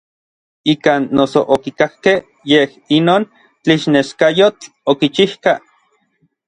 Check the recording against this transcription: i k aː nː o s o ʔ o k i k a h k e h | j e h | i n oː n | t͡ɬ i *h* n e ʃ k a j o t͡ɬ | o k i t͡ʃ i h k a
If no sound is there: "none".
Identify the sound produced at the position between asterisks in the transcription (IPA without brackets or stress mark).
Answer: ʃ